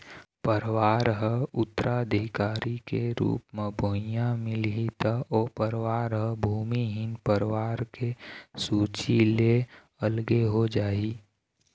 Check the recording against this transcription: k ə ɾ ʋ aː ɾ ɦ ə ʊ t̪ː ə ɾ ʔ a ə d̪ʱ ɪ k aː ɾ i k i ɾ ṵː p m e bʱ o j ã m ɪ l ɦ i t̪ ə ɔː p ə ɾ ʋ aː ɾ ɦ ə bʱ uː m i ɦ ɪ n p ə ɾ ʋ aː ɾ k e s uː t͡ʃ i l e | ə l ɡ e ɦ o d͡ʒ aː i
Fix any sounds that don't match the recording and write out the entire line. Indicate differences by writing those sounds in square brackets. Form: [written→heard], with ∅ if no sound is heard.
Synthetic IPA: [k→p] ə ɾ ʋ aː ɾ ɦ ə ʊ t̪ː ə ɾ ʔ a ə d̪ʱ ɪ k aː ɾ i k [i→e] ɾ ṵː p m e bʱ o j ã m ɪ l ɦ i t̪ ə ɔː p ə ɾ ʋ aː ɾ ɦ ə bʱ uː m i ɦ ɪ n p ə ɾ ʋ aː ɾ k e s uː t͡ʃ i l e | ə l ɡ e ɦ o d͡ʒ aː i